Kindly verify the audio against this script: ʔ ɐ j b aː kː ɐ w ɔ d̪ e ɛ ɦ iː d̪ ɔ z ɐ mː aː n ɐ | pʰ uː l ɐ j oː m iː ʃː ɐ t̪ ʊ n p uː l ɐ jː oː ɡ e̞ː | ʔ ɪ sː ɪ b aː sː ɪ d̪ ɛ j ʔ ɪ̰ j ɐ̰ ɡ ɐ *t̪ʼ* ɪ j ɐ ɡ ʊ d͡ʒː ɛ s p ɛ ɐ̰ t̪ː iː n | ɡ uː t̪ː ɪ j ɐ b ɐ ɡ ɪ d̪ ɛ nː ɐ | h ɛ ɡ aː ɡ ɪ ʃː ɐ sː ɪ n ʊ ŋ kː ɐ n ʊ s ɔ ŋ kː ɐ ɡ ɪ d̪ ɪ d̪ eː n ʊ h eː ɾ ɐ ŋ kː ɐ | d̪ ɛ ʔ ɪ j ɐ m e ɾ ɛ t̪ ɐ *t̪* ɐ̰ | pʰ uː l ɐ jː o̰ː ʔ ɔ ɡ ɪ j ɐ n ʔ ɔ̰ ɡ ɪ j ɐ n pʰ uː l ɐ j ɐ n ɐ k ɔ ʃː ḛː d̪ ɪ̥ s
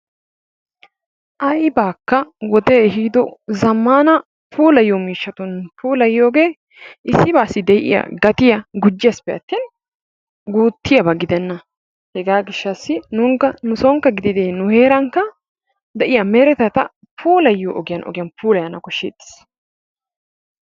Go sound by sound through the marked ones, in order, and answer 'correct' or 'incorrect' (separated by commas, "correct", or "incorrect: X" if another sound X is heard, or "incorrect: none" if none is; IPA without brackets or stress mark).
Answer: incorrect: t̪, correct